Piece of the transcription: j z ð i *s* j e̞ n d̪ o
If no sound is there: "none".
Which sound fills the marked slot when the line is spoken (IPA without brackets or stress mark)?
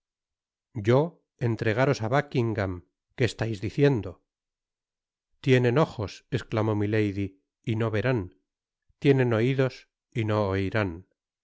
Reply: θ